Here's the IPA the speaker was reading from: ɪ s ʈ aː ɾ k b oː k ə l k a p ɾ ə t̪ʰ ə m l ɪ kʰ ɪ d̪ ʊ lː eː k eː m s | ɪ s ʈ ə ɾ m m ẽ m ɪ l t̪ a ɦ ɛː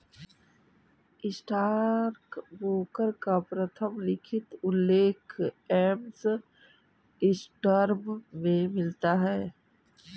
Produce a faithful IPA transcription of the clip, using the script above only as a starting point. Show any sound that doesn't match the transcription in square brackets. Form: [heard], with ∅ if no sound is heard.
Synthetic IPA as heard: ɪ s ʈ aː ɾ k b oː k ə [ɾ] k a p ɾ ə t̪ʰ ə m l ɪ kʰ ɪ [t̪] ʊ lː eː [kʰ] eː m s | ɪ s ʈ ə ɾ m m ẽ m ɪ l t̪ a ɦ ɛː